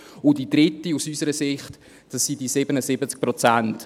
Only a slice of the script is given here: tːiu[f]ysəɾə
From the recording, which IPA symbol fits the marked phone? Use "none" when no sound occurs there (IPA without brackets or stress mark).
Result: s